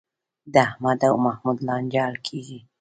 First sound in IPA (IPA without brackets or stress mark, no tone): d̪